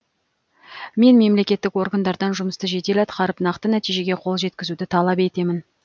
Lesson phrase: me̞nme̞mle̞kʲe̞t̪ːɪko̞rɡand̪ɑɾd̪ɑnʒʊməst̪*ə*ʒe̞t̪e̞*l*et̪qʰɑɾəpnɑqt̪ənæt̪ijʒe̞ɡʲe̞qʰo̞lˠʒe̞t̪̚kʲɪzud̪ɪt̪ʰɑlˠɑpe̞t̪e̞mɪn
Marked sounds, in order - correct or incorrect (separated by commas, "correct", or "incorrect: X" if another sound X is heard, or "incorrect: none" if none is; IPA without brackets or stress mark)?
correct, correct